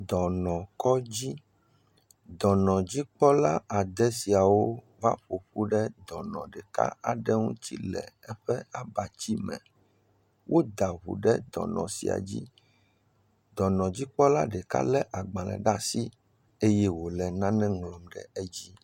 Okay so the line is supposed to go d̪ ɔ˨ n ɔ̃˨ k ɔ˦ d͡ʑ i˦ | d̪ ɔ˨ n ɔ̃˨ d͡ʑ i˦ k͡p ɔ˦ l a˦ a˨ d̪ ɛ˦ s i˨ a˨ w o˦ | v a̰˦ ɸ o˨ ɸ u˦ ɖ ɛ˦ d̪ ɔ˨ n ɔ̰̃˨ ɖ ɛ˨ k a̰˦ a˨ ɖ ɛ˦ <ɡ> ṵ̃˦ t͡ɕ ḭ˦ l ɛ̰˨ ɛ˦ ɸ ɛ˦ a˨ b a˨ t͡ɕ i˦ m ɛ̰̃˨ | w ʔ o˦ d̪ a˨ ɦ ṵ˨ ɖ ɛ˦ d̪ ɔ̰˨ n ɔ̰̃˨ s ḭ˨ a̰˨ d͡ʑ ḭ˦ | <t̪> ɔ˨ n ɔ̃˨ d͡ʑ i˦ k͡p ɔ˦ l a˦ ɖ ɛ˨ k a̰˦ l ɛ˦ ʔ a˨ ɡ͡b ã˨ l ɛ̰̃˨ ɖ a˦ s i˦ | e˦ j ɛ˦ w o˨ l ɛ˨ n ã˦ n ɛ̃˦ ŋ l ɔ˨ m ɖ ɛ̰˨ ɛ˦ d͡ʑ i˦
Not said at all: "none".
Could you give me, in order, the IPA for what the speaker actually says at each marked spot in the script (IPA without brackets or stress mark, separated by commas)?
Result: ŋ, d̪